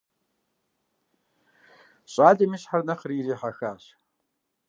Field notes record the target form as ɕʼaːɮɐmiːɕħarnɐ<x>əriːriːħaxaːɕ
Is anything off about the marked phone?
yes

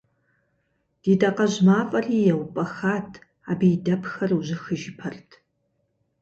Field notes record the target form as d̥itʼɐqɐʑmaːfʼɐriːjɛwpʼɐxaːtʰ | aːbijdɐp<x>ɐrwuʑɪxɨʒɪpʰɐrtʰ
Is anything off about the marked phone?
no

